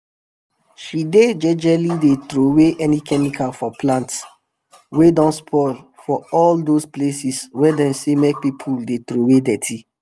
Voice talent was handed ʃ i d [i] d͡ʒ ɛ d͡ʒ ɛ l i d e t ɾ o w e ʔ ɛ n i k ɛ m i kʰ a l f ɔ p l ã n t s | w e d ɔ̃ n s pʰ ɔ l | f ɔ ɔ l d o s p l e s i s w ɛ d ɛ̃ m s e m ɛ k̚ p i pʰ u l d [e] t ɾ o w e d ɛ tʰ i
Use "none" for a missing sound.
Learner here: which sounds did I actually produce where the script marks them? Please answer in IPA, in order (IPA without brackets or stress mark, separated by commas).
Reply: e, e